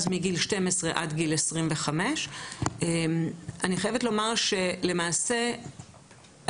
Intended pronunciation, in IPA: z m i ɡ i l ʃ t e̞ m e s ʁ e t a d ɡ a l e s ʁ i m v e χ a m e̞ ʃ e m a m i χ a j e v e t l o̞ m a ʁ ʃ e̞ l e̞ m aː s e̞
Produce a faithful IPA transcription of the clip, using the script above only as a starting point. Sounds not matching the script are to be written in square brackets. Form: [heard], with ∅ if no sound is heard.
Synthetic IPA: z m i ɡ i l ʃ t e̞ m e s ʁ e [ʔ] a d ɡ [i] l e s ʁ i m v e χ a m e̞ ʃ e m a [n] i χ a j e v e t l o̞ m a ʁ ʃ e̞ l e̞ m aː s e̞